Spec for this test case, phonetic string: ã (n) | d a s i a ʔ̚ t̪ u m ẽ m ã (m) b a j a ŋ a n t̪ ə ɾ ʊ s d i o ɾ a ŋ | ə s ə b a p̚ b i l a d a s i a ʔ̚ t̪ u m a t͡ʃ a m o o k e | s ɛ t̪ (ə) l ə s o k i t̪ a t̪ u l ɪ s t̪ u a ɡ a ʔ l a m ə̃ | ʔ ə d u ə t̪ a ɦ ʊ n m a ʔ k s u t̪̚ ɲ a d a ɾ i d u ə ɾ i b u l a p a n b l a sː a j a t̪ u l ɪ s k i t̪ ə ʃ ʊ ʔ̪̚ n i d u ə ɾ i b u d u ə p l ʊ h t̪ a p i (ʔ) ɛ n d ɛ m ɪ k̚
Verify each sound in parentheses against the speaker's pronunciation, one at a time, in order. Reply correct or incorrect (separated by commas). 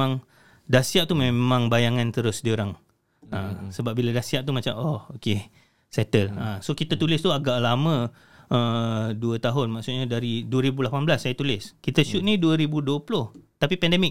incorrect, incorrect, correct, incorrect